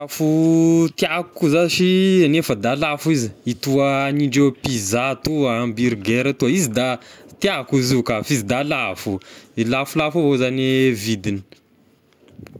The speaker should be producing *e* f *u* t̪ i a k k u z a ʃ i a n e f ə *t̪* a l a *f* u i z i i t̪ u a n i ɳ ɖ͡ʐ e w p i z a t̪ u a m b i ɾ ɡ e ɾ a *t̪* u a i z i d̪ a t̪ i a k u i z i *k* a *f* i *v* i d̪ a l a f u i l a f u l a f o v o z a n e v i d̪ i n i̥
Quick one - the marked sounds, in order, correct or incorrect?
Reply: incorrect, correct, incorrect, correct, correct, correct, correct, incorrect

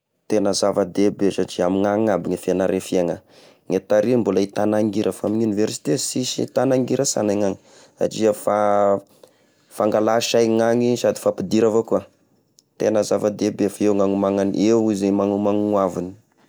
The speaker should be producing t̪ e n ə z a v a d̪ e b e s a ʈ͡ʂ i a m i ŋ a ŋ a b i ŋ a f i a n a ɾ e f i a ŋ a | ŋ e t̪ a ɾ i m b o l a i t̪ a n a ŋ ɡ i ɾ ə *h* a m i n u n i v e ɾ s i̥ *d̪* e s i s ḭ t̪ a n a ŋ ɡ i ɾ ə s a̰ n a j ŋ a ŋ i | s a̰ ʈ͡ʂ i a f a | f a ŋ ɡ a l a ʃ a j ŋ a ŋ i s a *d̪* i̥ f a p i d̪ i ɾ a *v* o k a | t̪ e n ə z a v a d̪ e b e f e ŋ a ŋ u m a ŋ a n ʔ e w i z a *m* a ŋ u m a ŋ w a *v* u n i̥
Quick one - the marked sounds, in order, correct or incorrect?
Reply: incorrect, incorrect, correct, correct, correct, correct

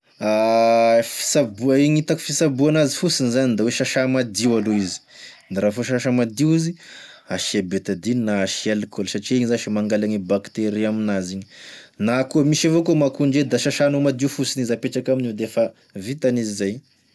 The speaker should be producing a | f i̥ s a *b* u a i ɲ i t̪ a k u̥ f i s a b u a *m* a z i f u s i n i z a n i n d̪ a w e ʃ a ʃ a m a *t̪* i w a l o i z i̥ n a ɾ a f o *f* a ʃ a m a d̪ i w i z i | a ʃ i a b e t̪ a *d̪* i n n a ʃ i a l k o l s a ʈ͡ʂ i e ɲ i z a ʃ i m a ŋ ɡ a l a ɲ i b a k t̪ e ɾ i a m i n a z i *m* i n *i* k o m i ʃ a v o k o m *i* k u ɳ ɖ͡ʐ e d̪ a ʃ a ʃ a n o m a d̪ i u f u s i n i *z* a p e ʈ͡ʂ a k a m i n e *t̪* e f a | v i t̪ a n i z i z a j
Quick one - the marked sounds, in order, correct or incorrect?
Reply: correct, incorrect, incorrect, incorrect, correct, incorrect, incorrect, incorrect, correct, incorrect

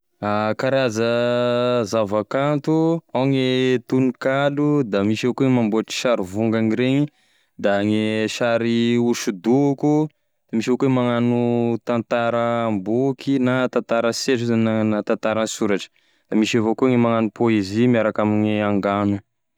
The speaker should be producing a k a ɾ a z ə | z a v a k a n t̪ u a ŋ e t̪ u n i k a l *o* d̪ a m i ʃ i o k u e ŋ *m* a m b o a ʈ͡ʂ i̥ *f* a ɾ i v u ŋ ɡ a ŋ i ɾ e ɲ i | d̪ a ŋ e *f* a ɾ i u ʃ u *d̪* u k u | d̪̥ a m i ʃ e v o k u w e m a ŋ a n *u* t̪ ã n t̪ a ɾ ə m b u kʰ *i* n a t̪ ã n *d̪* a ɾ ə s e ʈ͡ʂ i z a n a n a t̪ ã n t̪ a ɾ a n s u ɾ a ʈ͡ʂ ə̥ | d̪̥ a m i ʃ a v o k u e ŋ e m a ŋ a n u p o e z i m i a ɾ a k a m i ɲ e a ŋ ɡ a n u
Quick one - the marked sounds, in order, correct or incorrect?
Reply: incorrect, correct, incorrect, incorrect, correct, correct, correct, incorrect

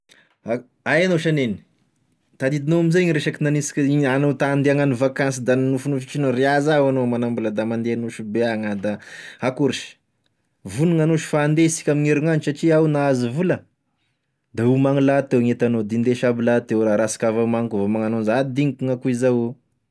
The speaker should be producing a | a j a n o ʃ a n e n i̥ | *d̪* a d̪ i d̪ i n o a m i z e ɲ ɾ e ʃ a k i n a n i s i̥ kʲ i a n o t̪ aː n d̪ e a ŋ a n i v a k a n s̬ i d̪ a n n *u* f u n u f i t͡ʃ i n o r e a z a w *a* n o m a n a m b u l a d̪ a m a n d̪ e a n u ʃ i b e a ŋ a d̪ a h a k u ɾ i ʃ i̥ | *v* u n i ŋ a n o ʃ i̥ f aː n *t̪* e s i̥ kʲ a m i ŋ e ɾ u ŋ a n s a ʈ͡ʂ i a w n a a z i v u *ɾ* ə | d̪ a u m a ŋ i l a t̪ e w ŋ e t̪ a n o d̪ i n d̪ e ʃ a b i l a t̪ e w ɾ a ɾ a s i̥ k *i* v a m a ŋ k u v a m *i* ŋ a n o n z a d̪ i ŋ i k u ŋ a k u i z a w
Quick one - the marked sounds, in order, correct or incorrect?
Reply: incorrect, correct, correct, correct, incorrect, incorrect, incorrect, incorrect

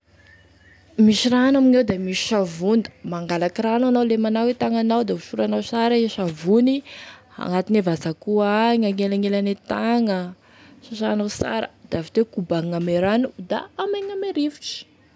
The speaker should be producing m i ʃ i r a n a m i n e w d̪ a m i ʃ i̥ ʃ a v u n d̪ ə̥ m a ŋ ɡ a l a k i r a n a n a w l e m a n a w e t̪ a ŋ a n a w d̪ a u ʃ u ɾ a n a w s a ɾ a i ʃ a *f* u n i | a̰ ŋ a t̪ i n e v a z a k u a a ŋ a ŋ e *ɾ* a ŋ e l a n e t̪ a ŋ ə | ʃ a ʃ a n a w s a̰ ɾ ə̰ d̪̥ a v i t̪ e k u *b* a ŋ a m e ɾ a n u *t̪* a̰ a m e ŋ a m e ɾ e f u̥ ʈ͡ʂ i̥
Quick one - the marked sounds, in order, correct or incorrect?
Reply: incorrect, incorrect, correct, incorrect

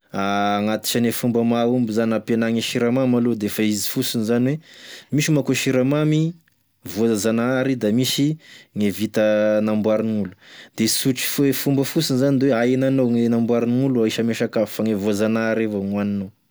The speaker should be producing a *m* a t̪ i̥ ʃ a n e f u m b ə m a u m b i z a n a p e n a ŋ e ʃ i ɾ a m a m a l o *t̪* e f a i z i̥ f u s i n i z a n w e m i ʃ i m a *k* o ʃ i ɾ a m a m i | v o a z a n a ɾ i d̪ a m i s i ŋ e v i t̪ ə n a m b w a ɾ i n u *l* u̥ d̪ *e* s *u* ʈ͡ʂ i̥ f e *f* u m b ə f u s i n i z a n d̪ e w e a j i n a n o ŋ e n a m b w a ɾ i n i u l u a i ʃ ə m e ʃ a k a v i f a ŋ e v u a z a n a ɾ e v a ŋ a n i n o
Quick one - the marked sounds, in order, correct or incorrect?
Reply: incorrect, incorrect, correct, correct, correct, correct, correct

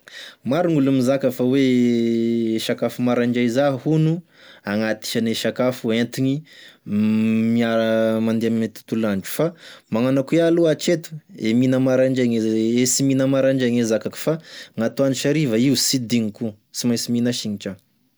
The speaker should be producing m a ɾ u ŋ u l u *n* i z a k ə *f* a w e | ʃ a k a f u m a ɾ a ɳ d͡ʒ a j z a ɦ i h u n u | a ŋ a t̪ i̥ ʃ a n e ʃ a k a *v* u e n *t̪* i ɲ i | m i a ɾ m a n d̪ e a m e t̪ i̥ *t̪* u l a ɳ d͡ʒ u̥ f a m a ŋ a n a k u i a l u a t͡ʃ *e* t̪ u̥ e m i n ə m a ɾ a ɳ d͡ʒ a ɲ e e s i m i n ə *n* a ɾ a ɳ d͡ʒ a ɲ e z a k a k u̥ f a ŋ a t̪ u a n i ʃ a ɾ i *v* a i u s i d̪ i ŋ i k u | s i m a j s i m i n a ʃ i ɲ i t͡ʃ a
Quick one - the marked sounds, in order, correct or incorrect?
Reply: incorrect, correct, incorrect, correct, correct, correct, incorrect, correct

